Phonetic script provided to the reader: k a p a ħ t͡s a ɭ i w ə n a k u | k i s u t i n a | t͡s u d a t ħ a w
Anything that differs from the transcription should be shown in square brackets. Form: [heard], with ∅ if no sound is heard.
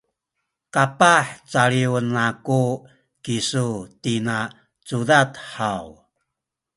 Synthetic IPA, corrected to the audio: k a p a ħ t͡s a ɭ i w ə n a k u | k i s u t i n a | t͡s u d a t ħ a w